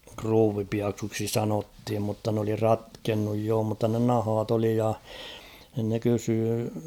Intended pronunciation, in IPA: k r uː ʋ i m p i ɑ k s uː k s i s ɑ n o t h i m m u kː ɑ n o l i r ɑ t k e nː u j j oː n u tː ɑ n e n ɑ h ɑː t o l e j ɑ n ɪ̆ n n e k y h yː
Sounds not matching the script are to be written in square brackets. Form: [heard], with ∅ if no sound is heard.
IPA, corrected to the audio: k r uː ʋ i [∅] p i ɑ k s uː k s i s ɑ n o t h i m m u [tː] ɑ n o l i r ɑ t k e nː u j j oː [m] u tː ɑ n e n ɑ h ɑː t o l [i] j ɑ n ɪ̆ n n e k y [s] yː